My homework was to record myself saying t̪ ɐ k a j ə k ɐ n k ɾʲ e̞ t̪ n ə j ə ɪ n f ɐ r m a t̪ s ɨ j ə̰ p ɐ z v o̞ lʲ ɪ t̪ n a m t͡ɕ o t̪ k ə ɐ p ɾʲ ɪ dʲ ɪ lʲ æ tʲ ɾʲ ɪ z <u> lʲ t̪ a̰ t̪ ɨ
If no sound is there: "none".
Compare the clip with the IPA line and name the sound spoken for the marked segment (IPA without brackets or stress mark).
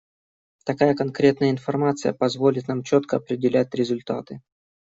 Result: ʊ